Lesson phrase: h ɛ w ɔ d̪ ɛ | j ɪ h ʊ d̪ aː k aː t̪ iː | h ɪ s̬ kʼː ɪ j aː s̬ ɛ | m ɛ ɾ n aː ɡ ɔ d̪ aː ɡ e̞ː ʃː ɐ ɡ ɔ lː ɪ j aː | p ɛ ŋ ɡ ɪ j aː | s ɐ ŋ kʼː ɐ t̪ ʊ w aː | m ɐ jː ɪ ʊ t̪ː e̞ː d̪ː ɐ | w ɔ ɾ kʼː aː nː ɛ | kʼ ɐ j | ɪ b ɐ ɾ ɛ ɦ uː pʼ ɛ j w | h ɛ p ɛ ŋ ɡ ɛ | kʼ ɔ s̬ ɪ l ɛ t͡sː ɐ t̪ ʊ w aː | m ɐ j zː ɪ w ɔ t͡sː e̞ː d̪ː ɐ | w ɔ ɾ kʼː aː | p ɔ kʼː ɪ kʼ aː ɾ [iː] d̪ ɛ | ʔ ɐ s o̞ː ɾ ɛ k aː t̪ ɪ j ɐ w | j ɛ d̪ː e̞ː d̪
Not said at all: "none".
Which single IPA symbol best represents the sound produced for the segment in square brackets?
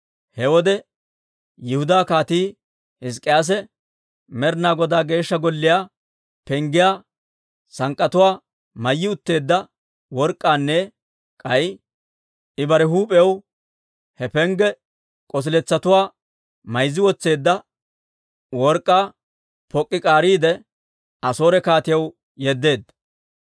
iː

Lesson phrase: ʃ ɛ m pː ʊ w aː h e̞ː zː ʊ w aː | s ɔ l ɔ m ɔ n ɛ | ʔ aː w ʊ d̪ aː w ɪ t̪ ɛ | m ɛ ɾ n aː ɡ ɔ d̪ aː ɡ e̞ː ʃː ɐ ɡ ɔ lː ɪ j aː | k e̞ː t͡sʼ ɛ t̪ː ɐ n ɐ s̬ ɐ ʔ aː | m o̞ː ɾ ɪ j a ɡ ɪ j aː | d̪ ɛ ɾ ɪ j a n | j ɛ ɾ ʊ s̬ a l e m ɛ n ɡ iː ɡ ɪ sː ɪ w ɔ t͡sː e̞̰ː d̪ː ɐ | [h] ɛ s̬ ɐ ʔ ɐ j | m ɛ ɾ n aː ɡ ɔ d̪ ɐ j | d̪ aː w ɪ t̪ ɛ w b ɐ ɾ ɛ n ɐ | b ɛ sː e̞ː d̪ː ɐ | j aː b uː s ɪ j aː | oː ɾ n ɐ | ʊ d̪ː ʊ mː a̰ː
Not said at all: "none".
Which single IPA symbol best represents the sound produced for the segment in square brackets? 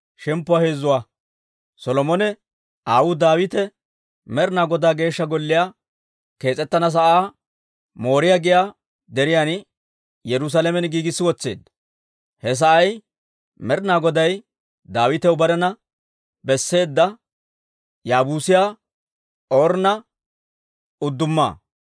h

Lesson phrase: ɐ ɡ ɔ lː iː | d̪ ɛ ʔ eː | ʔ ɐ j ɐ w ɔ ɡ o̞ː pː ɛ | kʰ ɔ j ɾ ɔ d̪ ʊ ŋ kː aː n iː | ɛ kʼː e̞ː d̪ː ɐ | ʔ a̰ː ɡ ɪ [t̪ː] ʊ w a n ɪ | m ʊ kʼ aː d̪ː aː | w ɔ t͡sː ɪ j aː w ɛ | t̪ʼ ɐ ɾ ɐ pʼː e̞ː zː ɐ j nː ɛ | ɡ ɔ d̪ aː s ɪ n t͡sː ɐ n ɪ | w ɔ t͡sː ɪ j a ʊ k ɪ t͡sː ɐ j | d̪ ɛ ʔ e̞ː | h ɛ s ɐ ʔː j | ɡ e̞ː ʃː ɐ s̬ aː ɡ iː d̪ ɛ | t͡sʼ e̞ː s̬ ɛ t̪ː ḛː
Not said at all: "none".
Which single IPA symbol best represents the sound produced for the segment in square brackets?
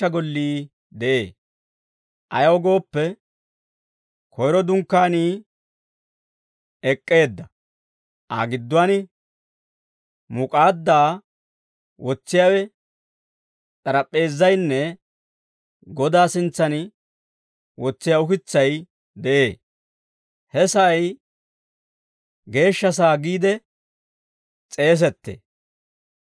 d̪ː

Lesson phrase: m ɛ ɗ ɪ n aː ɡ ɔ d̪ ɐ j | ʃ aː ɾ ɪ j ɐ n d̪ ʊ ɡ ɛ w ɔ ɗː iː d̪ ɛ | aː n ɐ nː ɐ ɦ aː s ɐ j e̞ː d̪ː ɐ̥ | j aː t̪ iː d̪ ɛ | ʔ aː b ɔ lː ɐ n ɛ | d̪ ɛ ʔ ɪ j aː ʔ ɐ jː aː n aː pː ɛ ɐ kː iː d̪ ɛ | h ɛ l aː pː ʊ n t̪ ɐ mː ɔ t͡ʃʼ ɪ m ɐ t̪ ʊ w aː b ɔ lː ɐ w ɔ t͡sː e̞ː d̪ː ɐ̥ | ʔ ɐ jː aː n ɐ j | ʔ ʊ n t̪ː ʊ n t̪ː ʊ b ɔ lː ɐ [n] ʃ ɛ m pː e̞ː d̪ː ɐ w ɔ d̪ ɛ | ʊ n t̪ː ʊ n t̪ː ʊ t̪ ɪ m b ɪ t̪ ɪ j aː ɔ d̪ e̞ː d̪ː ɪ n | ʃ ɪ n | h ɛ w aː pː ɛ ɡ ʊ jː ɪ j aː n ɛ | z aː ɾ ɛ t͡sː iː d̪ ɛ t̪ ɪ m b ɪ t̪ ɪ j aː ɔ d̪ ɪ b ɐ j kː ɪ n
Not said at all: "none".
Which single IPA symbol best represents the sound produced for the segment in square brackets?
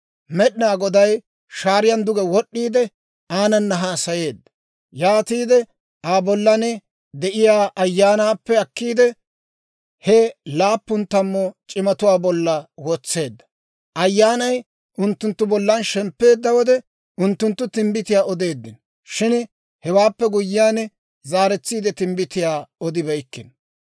n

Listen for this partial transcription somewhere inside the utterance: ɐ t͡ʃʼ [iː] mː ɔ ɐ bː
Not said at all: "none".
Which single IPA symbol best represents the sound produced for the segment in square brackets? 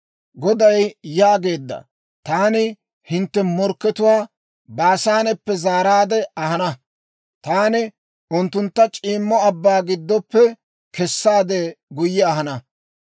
iː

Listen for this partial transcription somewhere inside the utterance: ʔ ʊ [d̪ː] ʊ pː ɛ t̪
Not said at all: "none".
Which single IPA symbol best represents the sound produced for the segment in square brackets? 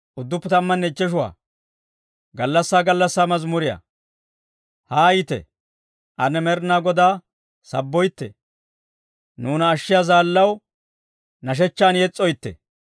d̪ː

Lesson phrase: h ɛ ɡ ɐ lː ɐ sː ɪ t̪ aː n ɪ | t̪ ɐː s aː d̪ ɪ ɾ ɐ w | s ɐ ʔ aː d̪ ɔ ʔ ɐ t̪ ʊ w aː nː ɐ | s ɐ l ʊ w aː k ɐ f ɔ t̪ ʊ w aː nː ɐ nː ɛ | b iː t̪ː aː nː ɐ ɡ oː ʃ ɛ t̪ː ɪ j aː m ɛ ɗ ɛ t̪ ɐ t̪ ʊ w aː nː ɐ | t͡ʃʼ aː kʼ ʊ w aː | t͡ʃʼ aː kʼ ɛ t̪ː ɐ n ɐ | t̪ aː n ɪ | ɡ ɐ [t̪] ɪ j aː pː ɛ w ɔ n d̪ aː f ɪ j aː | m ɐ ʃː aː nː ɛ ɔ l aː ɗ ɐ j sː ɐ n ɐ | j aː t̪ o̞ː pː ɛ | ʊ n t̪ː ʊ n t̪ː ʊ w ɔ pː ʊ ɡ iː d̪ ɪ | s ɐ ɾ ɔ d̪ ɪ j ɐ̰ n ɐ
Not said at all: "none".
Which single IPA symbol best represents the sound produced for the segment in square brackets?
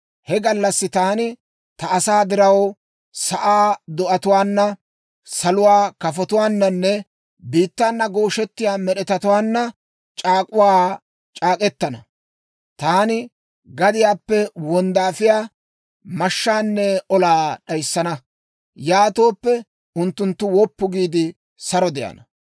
d̪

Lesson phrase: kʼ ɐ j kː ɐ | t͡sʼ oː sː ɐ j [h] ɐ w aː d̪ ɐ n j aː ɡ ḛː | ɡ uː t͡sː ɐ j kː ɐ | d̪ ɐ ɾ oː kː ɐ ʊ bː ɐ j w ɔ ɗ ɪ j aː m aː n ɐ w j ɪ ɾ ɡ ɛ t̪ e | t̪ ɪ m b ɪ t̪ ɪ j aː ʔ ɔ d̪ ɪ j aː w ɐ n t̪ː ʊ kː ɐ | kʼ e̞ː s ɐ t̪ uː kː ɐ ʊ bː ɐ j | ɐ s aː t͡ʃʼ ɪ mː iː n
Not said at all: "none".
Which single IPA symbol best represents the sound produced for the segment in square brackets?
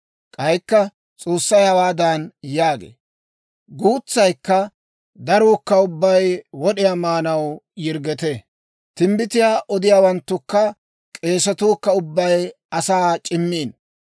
h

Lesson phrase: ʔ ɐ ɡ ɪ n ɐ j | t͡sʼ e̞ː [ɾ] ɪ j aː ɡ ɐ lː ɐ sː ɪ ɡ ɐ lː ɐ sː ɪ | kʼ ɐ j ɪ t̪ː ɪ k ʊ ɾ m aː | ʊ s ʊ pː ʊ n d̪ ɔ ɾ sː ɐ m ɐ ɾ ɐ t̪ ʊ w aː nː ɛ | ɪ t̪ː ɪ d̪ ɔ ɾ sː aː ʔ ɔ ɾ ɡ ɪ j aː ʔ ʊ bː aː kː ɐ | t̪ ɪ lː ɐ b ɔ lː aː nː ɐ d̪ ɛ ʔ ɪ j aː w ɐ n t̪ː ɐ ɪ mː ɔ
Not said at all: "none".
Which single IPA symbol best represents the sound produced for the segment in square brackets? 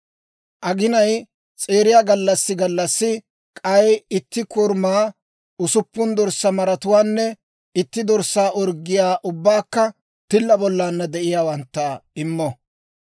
ɾ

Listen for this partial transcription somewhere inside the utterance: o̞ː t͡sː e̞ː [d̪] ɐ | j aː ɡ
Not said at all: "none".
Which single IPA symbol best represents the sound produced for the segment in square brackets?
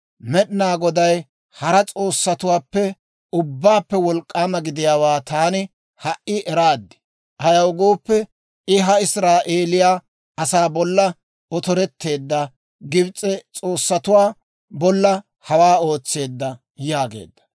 d̪ː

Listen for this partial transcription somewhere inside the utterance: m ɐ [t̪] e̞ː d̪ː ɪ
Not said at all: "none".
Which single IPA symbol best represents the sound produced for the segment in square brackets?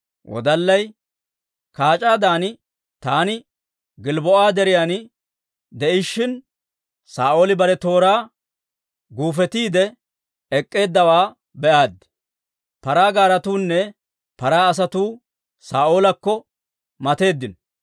t̪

